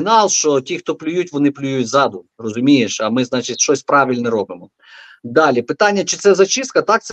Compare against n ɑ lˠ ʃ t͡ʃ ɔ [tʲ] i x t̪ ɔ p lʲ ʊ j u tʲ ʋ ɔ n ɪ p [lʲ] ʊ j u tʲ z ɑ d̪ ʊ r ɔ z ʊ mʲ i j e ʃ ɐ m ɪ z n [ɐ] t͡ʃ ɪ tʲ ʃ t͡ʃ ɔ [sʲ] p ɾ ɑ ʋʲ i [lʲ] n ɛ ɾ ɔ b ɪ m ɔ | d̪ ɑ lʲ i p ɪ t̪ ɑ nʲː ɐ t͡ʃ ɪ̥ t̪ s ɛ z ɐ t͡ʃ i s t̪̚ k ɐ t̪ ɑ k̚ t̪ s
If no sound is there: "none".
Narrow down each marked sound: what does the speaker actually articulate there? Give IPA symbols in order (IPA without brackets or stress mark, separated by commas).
tʲ, lʲ, ɑ, sʲ, lʲ